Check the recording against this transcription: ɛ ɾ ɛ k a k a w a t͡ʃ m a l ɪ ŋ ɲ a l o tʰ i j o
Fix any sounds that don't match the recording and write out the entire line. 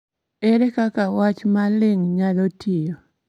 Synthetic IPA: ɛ ɾ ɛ k a k a w a t͡ʃ m a l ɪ ŋ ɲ a l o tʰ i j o